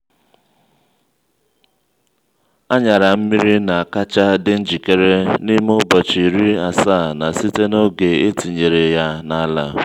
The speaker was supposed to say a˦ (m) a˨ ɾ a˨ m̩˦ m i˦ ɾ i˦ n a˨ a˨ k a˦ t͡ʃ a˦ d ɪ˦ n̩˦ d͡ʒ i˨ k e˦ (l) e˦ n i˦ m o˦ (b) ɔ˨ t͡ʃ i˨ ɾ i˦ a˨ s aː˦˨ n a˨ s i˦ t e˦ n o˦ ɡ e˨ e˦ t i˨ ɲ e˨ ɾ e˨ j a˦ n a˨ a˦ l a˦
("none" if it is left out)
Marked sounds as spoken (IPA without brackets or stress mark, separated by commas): ɲ, ɾ, b